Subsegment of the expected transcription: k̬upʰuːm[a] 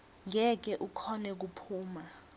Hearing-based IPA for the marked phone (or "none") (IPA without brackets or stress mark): a